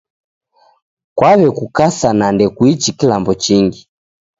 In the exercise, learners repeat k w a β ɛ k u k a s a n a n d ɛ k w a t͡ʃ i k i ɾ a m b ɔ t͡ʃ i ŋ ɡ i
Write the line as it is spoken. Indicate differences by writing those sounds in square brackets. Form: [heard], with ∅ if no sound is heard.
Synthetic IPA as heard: k w a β ɛ k u k a s a n a n d ɛ k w [i] t͡ʃ i k i [l] a m b ɔ t͡ʃ i ŋ ɡ i